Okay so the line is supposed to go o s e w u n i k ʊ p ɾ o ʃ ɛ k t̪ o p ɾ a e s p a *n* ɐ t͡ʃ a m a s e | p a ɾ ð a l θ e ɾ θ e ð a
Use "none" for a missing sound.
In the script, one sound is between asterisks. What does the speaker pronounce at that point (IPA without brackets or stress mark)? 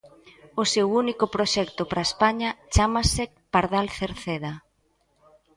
ɲ